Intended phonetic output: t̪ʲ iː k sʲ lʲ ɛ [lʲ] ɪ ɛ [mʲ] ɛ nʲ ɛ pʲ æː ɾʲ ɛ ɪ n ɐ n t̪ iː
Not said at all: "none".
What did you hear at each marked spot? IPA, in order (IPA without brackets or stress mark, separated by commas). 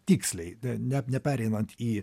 none, nʲ